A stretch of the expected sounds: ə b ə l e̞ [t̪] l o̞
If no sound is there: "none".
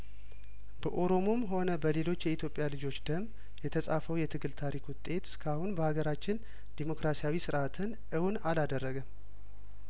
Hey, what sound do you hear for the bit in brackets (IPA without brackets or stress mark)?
none